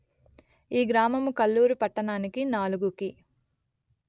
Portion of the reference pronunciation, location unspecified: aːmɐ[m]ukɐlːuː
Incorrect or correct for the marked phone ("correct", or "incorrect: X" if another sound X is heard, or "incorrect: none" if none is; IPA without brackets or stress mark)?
correct